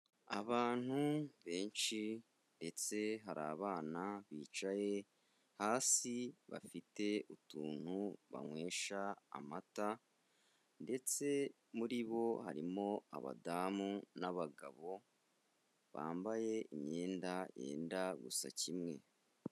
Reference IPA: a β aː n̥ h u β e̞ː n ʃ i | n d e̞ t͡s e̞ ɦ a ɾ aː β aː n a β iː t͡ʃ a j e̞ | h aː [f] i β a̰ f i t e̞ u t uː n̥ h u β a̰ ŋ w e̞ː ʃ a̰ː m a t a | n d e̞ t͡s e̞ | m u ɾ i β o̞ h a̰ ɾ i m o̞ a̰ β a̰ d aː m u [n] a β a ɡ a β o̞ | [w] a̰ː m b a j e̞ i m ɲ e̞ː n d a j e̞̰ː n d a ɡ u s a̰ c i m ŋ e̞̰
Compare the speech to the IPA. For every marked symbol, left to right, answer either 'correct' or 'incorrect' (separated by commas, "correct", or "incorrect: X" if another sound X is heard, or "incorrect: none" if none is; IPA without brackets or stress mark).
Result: incorrect: s, correct, incorrect: β